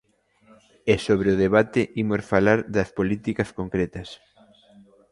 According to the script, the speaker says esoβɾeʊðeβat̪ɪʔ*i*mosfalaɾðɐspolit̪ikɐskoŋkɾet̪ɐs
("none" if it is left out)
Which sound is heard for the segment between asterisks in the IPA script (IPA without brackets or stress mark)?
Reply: i